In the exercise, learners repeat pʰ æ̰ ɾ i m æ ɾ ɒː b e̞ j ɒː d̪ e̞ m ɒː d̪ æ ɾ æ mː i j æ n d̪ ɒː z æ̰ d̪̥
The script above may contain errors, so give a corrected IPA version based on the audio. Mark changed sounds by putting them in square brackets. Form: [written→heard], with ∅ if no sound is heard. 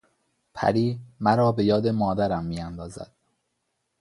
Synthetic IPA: pʰ æ̰ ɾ [i→iː] m æ ɾ ɒː b e̞ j ɒː d̪ e̞ m ɒː d̪ æ ɾ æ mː i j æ n d̪ ɒː z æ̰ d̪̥